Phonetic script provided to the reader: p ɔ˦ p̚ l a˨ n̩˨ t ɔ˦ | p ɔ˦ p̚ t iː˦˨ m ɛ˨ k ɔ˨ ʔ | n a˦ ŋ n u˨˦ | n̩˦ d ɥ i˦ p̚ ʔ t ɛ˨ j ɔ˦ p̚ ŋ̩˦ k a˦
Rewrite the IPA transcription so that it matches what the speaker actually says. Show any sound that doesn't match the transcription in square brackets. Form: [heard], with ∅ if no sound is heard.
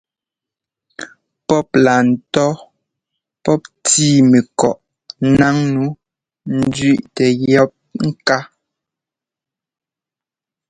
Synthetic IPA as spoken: p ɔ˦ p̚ l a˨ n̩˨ t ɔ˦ | p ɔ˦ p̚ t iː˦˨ m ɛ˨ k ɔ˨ ʔ | n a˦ ŋ n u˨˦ | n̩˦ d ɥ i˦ [∅] ʔ t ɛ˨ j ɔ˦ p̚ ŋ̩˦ k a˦

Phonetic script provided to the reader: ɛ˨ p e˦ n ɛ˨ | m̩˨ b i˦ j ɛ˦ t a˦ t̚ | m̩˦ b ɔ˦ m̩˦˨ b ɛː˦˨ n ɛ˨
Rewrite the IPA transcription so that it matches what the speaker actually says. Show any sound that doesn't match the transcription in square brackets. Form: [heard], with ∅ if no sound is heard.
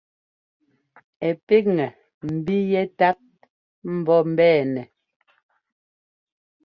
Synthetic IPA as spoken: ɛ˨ p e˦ [ŋ] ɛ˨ | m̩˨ b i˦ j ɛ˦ t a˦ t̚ | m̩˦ b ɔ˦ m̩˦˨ b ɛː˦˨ n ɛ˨

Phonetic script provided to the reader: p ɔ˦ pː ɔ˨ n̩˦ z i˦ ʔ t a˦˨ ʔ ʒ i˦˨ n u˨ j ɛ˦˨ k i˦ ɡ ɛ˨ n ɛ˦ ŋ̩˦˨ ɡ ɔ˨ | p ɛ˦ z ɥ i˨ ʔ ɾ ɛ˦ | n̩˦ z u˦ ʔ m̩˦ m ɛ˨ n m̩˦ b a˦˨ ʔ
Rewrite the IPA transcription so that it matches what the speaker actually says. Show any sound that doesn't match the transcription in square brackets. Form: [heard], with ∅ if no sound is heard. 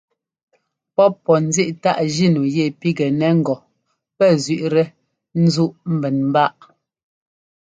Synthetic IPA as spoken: p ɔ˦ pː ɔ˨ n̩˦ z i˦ ʔ t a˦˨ ʔ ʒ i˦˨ n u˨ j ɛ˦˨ [p] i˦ ɡ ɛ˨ n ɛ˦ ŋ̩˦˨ ɡ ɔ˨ | p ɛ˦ z ɥ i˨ ʔ ɾ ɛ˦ | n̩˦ z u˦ ʔ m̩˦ [b] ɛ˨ n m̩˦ b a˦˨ ʔ

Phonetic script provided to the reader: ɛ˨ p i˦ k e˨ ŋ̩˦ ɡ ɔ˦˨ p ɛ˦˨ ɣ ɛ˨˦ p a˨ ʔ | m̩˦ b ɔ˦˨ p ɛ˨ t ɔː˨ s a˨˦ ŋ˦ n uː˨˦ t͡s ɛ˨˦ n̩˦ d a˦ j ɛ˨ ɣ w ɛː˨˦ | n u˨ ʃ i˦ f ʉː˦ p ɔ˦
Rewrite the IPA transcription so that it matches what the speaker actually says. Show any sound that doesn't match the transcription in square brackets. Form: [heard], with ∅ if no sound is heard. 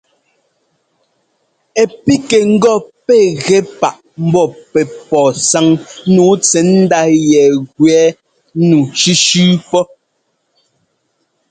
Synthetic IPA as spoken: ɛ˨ p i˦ k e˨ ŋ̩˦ ɡ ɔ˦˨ p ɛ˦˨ ɣ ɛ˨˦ p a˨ ʔ | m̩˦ b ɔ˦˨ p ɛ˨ [p] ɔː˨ s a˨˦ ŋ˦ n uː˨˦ t͡s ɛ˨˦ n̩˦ d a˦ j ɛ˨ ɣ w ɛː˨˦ | n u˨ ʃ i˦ [ʃ] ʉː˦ p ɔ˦

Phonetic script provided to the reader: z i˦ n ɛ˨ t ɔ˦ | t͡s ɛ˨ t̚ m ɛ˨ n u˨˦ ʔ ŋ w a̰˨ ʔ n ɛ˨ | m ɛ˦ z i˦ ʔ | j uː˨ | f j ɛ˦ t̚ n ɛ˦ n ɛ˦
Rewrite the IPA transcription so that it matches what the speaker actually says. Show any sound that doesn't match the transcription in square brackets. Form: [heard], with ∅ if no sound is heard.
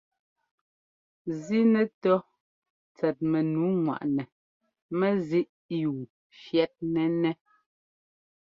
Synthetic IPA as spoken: z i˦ n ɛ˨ t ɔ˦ | t͡s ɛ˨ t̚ m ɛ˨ n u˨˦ [∅] ŋ w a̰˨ ʔ n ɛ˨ | m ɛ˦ z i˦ ʔ | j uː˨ | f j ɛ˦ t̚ n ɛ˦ n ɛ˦

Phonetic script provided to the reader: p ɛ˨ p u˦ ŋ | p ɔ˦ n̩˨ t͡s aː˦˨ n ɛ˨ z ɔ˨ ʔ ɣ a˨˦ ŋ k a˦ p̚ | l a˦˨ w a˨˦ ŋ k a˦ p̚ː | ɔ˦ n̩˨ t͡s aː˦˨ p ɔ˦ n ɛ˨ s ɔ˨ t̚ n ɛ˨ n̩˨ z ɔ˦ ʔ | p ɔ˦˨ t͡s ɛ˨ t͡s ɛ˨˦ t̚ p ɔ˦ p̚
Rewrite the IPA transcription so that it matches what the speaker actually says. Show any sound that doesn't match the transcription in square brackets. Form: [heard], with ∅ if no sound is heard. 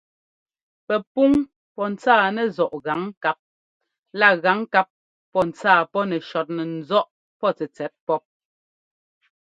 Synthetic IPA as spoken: p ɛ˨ p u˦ ŋ | p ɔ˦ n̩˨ t͡s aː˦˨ n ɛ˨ z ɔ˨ ʔ ɣ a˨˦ ŋ k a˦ p̚ | l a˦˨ [ɣ] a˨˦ ŋ k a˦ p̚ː | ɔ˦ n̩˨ t͡s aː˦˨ p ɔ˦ n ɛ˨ [ʃ] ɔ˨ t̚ n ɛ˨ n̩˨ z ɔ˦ ʔ | p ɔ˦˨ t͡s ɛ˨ t͡s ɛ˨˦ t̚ p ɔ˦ p̚

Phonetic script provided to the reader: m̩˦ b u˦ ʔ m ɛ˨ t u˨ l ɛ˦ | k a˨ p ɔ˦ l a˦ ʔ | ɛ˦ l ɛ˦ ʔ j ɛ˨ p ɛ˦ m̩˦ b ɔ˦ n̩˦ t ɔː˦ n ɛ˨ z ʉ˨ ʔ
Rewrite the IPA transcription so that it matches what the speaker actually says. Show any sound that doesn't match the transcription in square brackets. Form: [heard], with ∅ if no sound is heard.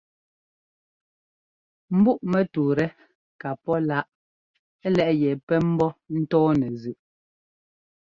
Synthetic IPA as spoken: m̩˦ b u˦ ʔ m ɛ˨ t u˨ [ɾ] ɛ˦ | k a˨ p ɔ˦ l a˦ ʔ | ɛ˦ l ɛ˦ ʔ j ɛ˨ p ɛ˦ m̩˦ b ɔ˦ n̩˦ t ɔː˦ n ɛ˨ z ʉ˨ ʔ

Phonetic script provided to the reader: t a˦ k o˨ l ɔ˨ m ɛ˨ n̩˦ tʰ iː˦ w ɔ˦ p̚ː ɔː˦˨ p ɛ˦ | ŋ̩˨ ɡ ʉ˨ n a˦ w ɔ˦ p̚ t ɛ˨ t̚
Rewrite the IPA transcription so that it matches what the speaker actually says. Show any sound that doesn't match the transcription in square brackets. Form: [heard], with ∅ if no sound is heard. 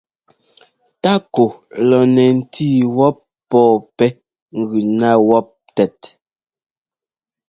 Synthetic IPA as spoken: t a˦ k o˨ l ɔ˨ [n] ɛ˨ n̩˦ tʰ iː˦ w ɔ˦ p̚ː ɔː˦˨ p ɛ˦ | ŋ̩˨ ɡ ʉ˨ n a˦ w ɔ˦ p̚ t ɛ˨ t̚

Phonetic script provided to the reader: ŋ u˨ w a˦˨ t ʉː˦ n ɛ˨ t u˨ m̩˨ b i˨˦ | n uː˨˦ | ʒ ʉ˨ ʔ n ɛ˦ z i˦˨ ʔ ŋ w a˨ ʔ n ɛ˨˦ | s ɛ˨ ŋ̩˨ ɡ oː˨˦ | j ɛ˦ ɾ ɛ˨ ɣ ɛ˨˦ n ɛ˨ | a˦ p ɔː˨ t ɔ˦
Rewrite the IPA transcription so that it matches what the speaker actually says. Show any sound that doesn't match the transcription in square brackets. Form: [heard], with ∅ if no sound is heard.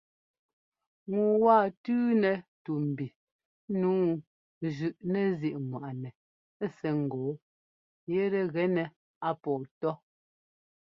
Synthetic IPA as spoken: ŋ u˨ w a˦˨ t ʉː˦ n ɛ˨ t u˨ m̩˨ b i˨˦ | n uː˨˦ | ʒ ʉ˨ ʔ n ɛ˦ z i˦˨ ʔ ŋ w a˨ ʔ n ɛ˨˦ | s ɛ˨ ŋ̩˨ ɡ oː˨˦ | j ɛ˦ ɾ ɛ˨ ɣ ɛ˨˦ n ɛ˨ | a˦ p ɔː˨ t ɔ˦

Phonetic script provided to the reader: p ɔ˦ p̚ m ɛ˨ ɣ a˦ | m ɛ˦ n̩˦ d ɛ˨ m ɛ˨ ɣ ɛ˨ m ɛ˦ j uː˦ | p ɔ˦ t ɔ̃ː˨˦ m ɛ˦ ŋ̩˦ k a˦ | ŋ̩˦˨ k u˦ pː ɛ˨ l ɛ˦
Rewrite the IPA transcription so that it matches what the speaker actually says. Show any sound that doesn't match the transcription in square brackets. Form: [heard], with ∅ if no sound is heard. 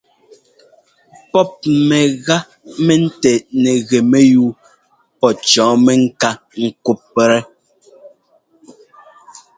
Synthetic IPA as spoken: p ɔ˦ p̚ m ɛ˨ ɣ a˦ | m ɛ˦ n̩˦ [t] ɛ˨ [n] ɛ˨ ɣ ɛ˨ m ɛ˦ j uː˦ | p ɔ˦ [t͡ʃ] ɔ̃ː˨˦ m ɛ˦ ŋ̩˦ k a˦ | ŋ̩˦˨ k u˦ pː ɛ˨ [ɾ] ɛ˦

